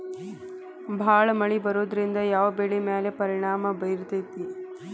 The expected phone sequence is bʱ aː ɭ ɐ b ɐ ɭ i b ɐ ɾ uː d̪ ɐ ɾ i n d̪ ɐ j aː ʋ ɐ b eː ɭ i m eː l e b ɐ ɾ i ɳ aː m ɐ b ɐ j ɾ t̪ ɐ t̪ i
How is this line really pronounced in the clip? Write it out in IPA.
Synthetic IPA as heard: bʱ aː ɭ ɐ m ɐ ɭ i b ɐ ɾ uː d̪ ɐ ɾ i n d̪ ɐ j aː ʋ ɐ b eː ɭ i m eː l e p ɐ ɾ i ɳ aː m ɐ b ɐ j ɾ t̪ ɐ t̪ i